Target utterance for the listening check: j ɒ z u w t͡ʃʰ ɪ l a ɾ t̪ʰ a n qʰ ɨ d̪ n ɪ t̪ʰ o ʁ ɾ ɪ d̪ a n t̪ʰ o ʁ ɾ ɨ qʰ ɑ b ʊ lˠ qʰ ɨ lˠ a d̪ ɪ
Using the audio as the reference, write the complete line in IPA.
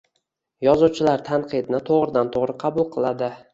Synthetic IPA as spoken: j ɒ z u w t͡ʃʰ ɪ l a ɾ t̪ʰ a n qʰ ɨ d̪ n ɪ t̪ʰ o ʁ ɾ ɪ d̪ a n t̪ʰ o ʁ ɾ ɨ qʰ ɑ b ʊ lˠ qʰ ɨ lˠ a d̪ ɪ